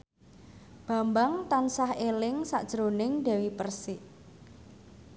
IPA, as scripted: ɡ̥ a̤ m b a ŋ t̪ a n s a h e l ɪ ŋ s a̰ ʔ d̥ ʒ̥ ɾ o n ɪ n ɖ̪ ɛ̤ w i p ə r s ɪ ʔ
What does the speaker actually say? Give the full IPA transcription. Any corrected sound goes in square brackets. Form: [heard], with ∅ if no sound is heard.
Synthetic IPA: [b̥] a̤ m b a ŋ t̪ a n s a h e l ɪ ŋ s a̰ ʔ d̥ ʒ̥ ɾ o n ɪ [ŋ] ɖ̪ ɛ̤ w i p ə r s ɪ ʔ